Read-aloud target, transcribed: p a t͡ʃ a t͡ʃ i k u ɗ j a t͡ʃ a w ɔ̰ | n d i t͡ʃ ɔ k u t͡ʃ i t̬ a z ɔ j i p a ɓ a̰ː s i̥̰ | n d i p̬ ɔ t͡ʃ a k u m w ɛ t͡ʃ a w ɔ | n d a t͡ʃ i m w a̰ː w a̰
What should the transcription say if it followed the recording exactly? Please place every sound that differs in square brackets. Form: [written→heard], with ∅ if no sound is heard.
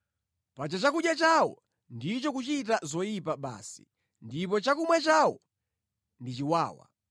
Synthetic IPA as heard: p a t͡ʃ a t͡ʃ [i→a] k u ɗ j a t͡ʃ a w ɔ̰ | n d i t͡ʃ ɔ k u t͡ʃ i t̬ a z ɔ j i p a ɓ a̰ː s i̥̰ | n d i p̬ ɔ t͡ʃ a k u m w ɛ t͡ʃ a w ɔ | n d [a→i] t͡ʃ i [m→∅] w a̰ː w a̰